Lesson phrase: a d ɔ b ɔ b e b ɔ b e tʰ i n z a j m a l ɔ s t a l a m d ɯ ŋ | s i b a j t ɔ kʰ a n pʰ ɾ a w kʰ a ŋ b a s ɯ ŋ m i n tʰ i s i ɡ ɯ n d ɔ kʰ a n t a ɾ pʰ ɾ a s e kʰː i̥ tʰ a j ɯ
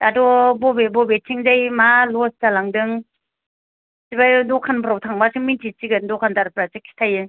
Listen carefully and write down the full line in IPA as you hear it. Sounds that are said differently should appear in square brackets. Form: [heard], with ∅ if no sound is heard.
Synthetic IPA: a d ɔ b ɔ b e b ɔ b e tʰ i [ŋ] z a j m a l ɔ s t a l a [ŋ] d ɯ ŋ | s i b a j [d] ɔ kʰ a n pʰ ɾ a w [tʰ] a ŋ b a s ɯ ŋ m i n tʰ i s i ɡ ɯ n d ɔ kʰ a n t a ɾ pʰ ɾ a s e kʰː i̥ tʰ a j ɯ